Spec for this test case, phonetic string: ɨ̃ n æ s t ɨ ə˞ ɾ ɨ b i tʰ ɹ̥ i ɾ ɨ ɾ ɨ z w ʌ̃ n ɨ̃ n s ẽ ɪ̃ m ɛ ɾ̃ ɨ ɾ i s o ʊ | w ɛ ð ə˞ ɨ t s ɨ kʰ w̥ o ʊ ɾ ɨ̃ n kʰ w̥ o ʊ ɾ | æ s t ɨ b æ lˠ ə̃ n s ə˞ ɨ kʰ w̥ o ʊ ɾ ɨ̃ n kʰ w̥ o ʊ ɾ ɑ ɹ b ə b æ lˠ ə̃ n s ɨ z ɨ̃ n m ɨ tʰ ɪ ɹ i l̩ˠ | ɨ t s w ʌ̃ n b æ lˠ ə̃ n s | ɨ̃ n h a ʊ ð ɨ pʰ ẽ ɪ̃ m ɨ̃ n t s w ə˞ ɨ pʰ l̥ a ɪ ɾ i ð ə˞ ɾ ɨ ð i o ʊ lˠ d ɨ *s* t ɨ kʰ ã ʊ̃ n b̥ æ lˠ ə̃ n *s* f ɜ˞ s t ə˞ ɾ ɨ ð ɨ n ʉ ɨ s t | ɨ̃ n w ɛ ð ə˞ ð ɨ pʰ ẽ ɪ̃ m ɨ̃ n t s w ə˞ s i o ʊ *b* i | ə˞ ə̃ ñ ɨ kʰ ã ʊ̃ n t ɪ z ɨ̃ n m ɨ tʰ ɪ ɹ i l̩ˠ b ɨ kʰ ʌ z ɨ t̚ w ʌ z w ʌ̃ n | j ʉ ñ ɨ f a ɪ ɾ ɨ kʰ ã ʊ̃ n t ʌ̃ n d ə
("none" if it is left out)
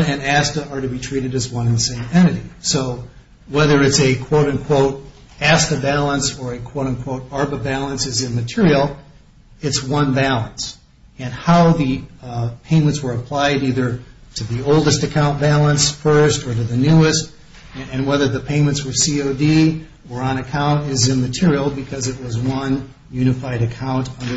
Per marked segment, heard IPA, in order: s, s, d

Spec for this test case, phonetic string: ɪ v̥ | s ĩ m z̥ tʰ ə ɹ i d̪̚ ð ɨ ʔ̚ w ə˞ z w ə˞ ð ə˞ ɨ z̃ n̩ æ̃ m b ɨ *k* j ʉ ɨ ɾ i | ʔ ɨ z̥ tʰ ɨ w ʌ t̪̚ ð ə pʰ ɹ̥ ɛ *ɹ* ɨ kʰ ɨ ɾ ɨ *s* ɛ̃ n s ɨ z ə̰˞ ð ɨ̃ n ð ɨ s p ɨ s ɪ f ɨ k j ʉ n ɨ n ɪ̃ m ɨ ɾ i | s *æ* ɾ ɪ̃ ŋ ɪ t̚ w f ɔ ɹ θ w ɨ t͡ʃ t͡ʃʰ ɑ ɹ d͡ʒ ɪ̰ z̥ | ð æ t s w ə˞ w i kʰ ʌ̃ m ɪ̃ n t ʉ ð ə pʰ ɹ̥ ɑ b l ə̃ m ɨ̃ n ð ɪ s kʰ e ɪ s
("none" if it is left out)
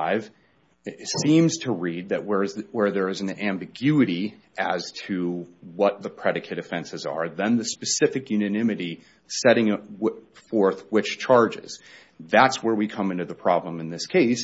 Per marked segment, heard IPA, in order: ɡ, ɾ, f, ɛ

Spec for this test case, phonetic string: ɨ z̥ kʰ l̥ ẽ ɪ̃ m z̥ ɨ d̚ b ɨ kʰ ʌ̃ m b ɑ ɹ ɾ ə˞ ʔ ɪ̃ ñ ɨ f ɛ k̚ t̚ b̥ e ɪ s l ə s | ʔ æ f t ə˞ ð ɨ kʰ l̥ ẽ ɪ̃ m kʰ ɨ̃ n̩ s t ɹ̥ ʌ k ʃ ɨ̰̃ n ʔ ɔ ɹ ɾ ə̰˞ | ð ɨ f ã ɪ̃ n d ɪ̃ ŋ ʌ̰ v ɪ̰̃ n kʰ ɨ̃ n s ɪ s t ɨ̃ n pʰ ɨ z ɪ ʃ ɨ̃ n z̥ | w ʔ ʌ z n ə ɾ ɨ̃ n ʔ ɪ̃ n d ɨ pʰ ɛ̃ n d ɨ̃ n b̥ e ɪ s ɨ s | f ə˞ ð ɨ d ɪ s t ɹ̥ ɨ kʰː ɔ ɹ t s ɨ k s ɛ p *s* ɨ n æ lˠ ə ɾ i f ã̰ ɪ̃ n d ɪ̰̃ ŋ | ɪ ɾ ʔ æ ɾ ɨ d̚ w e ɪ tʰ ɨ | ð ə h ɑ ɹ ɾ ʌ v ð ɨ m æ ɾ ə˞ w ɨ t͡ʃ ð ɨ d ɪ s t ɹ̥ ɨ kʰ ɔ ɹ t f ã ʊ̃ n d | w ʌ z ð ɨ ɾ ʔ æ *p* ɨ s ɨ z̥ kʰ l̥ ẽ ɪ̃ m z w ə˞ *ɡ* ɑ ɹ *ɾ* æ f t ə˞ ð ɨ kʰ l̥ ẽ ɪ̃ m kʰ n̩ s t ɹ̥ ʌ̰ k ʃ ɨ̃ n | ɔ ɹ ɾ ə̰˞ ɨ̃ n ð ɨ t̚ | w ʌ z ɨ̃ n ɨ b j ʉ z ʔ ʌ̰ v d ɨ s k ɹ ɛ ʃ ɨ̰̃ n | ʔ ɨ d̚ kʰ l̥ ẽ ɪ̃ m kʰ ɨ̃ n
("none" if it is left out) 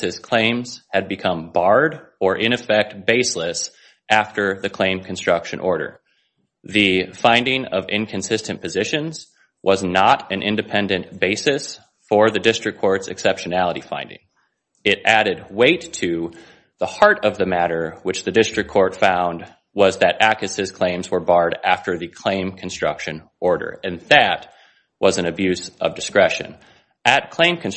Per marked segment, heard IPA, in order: ʃ, k, b, ɾ

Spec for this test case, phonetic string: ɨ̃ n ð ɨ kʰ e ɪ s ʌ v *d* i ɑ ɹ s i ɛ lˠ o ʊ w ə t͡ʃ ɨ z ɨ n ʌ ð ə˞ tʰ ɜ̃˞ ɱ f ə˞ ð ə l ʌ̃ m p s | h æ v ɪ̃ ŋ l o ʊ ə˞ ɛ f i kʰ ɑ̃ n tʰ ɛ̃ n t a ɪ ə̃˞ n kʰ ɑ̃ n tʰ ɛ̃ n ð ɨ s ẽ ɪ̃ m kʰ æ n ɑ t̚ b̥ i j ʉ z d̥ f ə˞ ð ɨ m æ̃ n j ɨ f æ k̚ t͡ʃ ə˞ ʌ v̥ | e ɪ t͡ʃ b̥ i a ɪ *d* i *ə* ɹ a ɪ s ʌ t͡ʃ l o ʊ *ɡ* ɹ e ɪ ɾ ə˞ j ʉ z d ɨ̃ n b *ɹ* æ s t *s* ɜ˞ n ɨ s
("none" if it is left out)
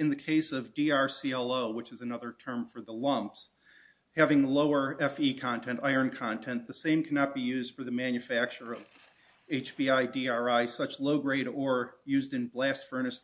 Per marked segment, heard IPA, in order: d, d, ɑ, ɡ, l, f

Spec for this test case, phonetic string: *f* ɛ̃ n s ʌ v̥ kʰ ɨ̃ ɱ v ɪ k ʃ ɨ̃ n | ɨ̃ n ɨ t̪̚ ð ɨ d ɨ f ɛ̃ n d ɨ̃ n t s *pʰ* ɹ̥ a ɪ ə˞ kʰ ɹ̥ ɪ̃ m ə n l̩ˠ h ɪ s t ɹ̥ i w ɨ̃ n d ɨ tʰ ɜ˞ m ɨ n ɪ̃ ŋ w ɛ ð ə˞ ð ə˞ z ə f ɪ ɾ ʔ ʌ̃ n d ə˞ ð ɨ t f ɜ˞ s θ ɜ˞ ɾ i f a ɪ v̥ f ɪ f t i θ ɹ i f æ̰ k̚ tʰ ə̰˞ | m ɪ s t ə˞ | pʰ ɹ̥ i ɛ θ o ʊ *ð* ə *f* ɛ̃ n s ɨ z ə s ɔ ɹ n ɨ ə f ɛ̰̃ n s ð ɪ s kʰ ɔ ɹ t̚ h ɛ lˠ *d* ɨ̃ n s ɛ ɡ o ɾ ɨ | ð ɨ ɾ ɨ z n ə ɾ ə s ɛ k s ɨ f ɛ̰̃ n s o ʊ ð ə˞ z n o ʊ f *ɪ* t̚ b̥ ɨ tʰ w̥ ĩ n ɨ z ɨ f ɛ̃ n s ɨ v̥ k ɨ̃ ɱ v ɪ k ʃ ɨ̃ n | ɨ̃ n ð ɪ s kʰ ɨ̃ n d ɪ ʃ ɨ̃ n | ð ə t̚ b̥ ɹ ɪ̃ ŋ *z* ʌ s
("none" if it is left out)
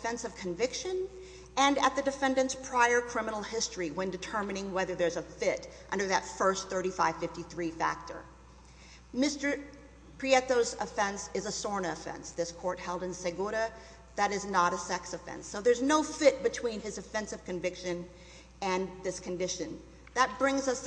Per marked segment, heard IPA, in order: f, pʰ, z, f, d, ɪ, z

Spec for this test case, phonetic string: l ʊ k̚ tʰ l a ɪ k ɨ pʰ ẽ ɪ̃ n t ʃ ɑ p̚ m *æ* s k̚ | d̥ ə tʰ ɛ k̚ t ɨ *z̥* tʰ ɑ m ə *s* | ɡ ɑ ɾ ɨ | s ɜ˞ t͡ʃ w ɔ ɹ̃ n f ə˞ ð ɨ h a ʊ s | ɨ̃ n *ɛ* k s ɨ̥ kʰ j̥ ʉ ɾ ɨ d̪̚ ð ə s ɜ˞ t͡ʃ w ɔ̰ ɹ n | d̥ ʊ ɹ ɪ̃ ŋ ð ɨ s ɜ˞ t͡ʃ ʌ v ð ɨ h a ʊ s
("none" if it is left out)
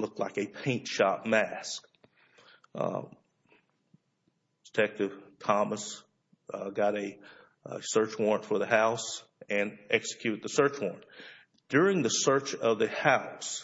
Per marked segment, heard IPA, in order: æ, v̥, s, ɛ

